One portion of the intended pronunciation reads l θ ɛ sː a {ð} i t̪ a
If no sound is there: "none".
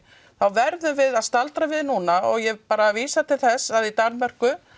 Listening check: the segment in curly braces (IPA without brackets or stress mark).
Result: ð